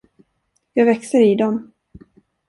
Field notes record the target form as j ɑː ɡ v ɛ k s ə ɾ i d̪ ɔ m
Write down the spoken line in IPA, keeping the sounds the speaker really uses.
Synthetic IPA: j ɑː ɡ v ɛ k s ə ɾ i d̪ ɔ m